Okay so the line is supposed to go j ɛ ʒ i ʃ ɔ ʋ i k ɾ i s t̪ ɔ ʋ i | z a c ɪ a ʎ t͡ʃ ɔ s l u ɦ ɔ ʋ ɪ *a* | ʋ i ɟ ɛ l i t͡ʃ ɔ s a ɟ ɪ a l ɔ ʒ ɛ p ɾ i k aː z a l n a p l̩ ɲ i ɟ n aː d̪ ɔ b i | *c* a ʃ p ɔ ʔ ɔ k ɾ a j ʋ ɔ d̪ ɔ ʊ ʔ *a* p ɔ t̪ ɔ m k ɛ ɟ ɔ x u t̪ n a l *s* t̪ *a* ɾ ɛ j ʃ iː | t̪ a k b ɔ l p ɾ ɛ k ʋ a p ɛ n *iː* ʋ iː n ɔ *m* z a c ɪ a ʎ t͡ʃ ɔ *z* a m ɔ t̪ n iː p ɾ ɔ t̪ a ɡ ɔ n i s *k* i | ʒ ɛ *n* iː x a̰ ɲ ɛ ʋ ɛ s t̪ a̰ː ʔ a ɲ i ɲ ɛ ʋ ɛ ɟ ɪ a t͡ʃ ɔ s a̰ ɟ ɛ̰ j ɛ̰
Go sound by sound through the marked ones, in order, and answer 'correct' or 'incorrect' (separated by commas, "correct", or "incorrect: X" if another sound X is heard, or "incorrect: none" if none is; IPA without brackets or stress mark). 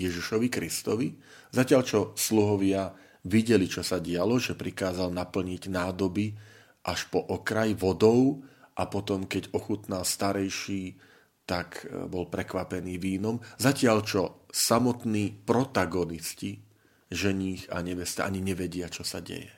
correct, incorrect: ʔ, correct, correct, correct, correct, correct, incorrect: s, incorrect: c, incorrect: ɲ